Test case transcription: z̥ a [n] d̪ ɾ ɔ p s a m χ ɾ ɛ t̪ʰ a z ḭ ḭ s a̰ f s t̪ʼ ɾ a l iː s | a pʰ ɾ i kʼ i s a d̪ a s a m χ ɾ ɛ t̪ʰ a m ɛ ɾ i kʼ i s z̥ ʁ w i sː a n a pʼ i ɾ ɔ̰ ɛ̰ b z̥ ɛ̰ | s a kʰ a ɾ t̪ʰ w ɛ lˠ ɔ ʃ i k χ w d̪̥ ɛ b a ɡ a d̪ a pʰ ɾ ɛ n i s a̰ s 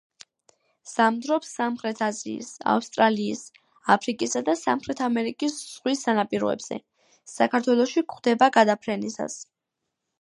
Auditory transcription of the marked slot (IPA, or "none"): m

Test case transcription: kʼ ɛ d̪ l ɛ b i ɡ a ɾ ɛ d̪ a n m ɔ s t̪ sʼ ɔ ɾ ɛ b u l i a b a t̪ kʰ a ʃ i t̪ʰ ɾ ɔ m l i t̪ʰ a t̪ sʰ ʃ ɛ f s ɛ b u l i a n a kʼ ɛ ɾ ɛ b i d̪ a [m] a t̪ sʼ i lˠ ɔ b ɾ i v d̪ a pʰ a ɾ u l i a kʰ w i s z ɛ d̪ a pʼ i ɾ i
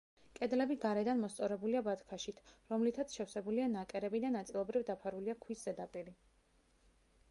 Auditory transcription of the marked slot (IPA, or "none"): n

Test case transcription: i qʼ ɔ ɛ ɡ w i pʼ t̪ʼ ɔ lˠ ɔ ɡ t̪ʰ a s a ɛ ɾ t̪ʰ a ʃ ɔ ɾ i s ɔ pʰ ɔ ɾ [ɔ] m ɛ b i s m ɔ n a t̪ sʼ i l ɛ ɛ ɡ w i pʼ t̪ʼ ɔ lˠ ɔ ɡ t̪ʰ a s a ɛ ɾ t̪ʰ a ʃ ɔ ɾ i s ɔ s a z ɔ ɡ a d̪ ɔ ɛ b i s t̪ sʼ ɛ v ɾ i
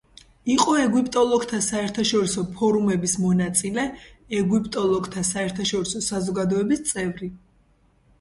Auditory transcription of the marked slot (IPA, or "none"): u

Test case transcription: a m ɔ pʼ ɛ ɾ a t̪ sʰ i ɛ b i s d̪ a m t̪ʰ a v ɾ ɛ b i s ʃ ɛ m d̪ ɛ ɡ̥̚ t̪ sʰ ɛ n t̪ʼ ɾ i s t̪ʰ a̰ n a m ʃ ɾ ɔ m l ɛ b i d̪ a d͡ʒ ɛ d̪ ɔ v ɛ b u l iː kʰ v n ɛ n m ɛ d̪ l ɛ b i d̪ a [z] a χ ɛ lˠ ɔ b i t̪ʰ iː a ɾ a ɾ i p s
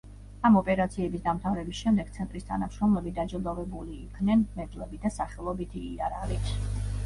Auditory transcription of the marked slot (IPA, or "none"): s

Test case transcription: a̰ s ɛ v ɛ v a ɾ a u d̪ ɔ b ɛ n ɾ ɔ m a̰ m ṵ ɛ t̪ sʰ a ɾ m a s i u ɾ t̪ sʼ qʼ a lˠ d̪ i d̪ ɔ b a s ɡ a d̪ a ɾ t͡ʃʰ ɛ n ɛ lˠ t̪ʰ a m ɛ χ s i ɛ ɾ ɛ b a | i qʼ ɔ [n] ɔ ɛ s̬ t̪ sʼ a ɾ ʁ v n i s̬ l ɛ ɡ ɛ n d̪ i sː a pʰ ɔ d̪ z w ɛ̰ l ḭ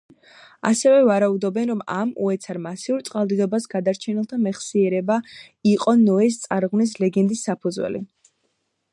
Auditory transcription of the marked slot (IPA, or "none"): n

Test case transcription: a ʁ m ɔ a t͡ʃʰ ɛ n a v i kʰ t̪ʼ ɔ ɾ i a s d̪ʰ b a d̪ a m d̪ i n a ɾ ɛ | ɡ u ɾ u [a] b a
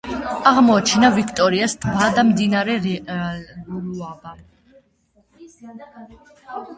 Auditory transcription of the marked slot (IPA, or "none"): a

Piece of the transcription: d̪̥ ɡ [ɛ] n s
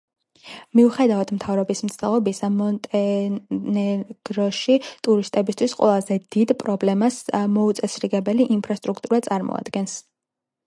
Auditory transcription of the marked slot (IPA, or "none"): ɛ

